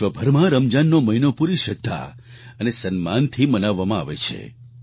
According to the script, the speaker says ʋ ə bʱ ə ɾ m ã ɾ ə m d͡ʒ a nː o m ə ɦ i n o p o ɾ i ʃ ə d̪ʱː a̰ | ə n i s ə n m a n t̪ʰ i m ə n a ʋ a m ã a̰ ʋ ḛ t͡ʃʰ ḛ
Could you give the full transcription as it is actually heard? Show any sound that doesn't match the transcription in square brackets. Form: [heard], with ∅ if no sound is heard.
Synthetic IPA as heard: ʋ ə bʱ ə ɾ m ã ɾ ə m d͡ʒ a nː o m ə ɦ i n o p [u] ɾ i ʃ ə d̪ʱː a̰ | ə n [e] s ə n m a n t̪ʰ i m ə n a [ʋː] a m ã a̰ ʋ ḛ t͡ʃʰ ḛ